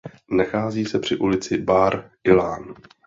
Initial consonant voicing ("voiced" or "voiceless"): voiced